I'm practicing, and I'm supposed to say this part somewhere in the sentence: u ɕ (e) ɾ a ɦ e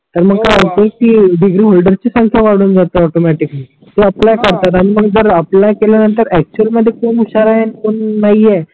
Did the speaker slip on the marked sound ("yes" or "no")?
yes